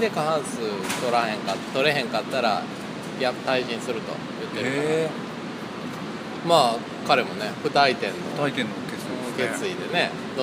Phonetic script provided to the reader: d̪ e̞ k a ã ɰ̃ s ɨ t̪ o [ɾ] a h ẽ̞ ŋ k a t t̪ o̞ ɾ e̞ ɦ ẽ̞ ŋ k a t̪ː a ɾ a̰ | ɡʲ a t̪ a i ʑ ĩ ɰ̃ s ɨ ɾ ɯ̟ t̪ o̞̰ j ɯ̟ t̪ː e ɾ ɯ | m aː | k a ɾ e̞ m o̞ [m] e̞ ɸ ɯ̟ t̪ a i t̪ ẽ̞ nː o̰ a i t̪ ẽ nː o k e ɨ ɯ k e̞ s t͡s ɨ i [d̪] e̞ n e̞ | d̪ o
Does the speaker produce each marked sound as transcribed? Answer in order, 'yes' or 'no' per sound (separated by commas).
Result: yes, no, yes